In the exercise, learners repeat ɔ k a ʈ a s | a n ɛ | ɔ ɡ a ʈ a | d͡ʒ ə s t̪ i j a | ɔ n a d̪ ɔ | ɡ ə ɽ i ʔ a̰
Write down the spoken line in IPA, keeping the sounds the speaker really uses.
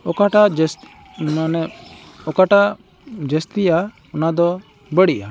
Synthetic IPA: ɔ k a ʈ a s | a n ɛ | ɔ k a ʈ a | d͡ʒ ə s t̪ i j a | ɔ n a d̪ ɔ | b ə ɽ i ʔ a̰